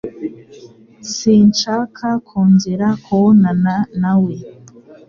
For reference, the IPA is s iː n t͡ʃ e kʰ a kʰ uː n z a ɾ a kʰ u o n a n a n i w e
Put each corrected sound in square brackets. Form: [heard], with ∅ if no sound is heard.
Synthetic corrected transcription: s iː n t͡ʃ [a] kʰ a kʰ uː n z [i] ɾ a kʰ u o n a n a n [a] w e